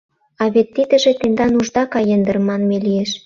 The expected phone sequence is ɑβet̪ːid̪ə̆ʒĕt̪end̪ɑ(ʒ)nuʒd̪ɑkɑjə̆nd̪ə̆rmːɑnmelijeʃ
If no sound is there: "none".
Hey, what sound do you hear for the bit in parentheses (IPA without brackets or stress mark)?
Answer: none